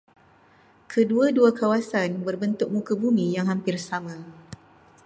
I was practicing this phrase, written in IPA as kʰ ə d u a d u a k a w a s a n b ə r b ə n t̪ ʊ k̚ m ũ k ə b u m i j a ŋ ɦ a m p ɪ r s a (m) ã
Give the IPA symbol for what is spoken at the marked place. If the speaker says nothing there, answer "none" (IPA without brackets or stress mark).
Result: m